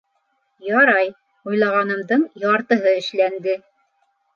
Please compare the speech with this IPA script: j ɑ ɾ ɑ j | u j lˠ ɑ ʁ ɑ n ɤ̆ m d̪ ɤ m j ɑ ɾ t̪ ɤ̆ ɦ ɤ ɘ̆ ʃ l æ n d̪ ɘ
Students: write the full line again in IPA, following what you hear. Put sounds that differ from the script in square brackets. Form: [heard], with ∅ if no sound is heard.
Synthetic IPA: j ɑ ɾ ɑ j | u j lˠ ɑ ʁ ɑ n ɤ̆ m d̪ ɤ [ɴ] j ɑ ɾ t̪ ɤ̆ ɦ ɤ ɘ̆ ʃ l æ n d̪ ɘ